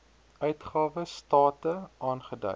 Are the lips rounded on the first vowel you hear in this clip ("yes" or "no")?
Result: yes